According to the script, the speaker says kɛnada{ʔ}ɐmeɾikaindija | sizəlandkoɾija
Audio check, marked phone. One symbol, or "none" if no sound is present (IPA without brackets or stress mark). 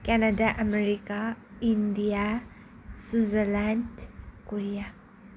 ʔ